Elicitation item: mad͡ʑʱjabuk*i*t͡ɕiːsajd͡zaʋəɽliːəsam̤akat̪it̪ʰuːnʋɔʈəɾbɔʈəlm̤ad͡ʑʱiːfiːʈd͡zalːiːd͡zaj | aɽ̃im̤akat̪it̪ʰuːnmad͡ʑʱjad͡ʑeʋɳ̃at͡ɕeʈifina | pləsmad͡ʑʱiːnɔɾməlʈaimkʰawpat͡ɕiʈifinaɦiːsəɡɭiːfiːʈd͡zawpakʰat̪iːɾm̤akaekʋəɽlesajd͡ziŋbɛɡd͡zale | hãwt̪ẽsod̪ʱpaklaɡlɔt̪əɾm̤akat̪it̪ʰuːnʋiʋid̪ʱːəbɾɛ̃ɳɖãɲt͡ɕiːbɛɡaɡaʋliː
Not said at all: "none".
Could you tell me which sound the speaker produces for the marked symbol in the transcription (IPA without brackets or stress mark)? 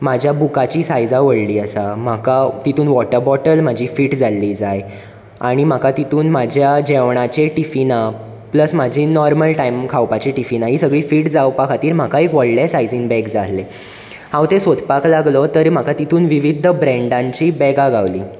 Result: a